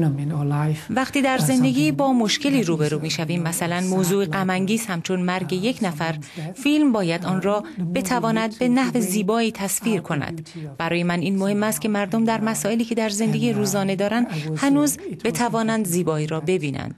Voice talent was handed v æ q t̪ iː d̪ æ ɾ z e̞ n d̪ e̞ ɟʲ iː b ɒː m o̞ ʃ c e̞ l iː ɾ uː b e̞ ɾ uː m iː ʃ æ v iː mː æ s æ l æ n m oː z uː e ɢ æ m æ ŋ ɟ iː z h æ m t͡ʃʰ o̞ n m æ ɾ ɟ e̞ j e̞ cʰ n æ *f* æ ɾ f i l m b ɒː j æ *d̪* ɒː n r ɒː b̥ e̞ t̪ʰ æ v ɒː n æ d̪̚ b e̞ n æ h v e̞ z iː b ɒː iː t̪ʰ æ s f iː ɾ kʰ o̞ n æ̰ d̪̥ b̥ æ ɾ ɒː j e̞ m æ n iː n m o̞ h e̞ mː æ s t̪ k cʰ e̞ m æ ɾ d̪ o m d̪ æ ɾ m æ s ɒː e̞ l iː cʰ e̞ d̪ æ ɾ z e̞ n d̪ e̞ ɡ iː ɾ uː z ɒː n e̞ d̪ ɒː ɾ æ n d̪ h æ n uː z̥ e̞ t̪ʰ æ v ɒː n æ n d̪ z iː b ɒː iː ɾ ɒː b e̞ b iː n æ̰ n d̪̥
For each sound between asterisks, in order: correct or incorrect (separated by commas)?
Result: correct, correct